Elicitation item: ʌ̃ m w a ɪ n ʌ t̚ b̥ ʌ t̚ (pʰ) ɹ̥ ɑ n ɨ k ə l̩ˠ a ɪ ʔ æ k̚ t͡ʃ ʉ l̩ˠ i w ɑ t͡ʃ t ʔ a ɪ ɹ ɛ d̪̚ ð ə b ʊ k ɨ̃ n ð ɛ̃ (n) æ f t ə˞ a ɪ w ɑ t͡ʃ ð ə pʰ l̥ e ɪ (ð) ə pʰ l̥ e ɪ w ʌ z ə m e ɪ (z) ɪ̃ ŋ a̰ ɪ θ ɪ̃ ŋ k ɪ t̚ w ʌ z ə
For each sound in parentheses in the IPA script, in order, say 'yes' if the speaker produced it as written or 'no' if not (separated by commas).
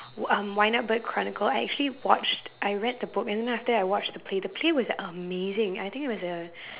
no, yes, yes, yes